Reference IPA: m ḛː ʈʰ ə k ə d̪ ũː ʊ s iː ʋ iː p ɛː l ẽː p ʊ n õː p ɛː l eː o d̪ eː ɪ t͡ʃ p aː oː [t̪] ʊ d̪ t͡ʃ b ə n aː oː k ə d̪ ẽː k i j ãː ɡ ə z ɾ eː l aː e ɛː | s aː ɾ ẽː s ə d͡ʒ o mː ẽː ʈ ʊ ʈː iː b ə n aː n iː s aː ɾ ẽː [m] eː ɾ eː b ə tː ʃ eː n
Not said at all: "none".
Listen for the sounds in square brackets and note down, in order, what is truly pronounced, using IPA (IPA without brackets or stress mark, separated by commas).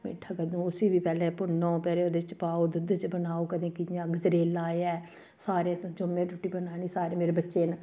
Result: d̪, m